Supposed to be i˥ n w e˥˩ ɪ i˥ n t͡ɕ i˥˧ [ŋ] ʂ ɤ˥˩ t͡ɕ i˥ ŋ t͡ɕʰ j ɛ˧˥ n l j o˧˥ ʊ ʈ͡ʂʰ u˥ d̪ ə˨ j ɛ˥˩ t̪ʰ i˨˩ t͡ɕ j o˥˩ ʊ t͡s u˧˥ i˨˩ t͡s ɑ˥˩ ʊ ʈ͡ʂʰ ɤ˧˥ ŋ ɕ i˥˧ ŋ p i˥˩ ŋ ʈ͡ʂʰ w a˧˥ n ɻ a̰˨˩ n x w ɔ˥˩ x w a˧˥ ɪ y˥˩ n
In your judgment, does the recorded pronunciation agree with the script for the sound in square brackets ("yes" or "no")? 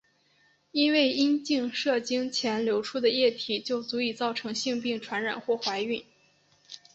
yes